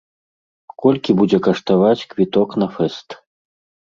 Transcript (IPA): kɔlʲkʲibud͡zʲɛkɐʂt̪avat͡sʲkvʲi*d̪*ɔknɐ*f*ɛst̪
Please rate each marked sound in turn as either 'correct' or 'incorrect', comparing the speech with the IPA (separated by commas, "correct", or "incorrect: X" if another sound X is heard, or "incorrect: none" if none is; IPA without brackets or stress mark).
incorrect: t̪, correct